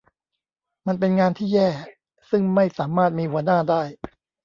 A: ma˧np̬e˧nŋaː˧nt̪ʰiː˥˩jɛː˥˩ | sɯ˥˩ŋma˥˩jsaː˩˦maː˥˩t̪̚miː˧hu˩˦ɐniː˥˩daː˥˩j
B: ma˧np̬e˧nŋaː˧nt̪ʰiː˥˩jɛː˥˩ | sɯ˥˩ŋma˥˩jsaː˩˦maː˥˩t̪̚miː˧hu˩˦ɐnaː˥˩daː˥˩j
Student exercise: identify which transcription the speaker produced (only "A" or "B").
B